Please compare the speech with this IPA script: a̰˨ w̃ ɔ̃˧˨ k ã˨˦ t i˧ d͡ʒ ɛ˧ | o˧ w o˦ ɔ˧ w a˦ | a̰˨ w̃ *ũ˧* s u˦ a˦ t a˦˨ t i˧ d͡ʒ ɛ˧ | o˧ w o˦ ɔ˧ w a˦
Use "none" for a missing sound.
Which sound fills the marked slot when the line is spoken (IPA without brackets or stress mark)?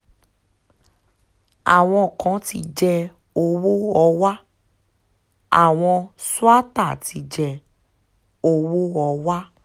ɔ̃˧